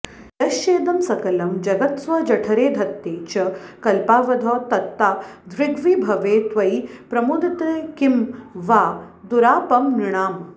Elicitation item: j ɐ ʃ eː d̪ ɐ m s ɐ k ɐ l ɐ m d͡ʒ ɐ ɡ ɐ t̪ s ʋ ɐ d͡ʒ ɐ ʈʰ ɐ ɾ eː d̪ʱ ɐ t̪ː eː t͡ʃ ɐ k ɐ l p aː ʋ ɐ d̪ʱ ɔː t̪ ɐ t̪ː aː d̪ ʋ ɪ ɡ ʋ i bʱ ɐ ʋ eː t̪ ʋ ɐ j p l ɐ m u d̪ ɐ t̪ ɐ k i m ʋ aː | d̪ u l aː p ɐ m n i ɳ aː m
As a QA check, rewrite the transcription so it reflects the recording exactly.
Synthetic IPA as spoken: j ɐ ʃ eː d̪ ɐ m s ɐ k ɐ l ɐ m d͡ʒ ɐ ɡ ɐ t̪ s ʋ ɐ d͡ʒ ɐ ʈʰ ɐ ɾ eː d̪ʱ ɐ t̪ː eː t͡ʃ ɐ k ɐ l p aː ʋ ɐ d̪ʱ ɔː t̪ ɐ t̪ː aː d̪ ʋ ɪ ɡ ʋ i bʱ ɐ ʋ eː t̪ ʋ ɐ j p ɾ ɐ m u d̪ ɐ t̪ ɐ k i m ʋ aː | d̪ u ɾ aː p ɐ m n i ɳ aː m